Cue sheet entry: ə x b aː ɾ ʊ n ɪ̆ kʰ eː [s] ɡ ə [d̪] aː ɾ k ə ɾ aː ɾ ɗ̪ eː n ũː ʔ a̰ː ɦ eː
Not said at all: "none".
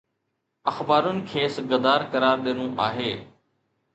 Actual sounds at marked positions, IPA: s, d̪

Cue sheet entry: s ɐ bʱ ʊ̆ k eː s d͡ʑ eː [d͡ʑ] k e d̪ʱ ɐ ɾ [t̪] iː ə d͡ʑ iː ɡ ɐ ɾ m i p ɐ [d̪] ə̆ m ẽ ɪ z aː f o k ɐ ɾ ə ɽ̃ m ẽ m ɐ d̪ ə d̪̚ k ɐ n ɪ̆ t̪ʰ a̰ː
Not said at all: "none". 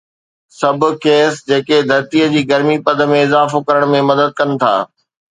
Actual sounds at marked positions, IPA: none, t̪, d̪

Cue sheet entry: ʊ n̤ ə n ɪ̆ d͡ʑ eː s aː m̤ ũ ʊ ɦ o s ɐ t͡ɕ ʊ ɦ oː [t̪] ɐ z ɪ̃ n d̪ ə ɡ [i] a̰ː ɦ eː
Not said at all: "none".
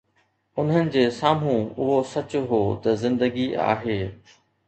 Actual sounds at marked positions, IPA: t̪, i

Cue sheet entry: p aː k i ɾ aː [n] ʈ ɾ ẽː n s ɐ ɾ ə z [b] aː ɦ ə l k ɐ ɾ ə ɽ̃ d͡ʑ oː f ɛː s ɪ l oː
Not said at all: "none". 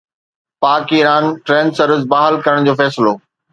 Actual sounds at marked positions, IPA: n, b

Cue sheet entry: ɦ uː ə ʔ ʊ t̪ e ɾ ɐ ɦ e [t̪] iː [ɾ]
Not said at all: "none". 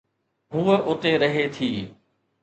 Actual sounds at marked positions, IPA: t̪ʰ, none

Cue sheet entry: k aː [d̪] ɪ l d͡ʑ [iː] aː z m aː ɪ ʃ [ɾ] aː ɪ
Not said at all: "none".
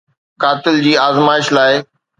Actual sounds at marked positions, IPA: t̪, iː, l

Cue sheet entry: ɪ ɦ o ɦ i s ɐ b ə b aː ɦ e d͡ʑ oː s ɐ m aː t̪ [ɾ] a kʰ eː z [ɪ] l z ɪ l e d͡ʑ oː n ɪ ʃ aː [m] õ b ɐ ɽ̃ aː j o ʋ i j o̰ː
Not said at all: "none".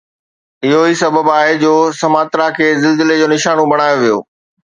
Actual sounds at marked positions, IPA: ɾ, ɪ, n

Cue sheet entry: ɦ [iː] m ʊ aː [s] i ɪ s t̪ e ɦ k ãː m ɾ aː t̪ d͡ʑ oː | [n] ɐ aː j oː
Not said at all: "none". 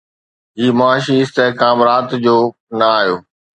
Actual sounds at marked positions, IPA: iː, ʃ, n

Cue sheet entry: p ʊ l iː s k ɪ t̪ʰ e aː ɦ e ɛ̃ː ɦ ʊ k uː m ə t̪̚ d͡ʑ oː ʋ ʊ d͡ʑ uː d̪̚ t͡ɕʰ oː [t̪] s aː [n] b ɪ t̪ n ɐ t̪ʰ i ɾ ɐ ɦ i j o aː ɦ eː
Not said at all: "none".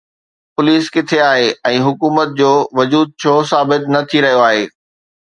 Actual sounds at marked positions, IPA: none, none

